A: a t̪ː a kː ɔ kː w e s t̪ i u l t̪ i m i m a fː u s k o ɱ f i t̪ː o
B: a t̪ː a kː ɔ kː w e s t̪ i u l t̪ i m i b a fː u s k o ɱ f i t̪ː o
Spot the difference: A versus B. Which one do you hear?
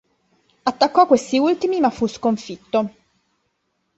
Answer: A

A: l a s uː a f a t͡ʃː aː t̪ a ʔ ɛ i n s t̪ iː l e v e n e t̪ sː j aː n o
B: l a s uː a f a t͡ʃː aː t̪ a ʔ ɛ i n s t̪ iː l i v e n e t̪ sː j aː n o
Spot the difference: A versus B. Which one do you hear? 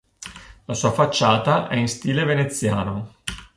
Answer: A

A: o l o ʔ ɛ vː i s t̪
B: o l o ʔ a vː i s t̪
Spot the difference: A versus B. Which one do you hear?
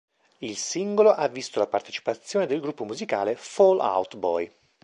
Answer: B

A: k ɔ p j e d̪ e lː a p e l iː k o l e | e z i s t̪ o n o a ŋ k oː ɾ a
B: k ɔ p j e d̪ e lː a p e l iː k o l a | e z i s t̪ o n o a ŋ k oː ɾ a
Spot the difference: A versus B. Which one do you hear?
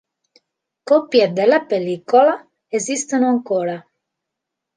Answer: B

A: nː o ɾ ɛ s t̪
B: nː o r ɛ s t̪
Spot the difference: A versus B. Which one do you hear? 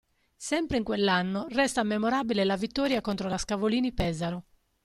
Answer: B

